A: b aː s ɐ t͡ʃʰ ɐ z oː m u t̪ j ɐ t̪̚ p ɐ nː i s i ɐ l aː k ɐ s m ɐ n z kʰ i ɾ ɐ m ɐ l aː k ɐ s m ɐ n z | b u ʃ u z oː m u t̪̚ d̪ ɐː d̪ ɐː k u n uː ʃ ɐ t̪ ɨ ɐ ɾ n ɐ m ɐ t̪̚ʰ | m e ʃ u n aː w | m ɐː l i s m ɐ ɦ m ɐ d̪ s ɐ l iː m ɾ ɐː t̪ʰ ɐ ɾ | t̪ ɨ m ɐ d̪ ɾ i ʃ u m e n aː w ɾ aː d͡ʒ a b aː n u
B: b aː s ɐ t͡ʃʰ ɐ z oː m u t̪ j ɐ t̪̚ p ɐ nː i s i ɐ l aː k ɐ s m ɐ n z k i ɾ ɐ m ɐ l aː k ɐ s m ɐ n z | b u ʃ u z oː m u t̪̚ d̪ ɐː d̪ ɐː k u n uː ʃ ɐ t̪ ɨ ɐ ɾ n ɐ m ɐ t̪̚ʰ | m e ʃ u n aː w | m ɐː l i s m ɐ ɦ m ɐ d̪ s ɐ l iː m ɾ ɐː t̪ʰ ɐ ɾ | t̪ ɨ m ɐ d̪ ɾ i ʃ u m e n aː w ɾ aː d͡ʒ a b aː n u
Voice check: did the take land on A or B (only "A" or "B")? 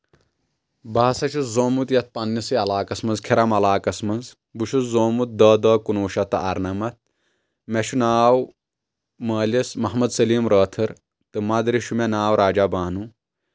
A